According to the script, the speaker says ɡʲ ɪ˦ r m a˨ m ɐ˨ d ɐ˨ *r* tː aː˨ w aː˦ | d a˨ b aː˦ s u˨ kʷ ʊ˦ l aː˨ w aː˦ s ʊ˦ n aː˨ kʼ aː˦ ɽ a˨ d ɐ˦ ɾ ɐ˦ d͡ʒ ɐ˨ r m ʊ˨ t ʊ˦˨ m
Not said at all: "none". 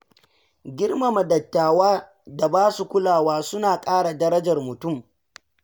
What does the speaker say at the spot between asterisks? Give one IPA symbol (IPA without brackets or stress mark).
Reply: none